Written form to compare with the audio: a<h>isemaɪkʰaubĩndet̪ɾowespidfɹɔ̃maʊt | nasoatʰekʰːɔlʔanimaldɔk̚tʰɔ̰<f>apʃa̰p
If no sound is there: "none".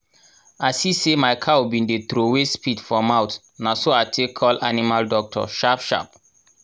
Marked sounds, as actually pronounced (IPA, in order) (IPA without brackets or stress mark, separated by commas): s, ʃ